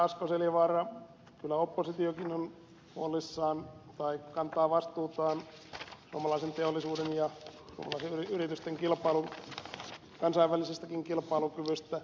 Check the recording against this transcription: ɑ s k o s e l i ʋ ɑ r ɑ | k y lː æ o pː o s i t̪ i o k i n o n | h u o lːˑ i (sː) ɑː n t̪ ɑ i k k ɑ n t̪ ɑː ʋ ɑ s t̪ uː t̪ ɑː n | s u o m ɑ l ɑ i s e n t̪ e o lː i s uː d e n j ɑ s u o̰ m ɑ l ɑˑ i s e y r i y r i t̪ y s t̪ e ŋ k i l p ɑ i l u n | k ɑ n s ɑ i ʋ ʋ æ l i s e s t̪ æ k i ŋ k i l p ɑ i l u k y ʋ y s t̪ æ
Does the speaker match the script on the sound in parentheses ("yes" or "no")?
yes